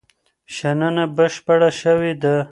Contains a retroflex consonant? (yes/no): yes